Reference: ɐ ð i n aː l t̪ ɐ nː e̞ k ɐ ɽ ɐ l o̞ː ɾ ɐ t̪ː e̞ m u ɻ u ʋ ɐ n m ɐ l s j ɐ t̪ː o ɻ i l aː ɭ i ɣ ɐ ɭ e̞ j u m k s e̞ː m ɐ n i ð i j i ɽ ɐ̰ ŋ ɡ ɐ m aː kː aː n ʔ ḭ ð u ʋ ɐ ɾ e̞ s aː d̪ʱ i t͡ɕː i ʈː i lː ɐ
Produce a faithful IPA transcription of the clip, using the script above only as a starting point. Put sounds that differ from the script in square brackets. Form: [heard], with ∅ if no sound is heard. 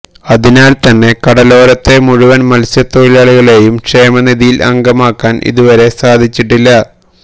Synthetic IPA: ɐ ð i n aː l t̪ ɐ nː e̞ k ɐ ɽ ɐ l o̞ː ɾ ɐ t̪ː e̞ m u ɻ u ʋ ɐ n m ɐ l s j ɐ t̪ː o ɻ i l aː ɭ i ɣ ɐ ɭ e̞ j u m k [ʂ] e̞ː m ɐ n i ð i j i [l] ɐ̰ ŋ ɡ ɐ m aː kː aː n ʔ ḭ ð u ʋ ɐ ɾ e̞ s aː d̪ʱ i t͡ɕː i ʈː i lː ɐ